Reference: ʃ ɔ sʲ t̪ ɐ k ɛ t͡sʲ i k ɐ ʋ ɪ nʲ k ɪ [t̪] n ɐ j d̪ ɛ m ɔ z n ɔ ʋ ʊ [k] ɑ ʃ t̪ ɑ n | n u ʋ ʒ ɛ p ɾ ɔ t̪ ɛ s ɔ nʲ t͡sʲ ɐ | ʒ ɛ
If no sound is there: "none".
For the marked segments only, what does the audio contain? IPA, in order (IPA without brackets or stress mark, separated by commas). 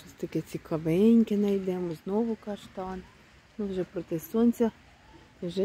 none, k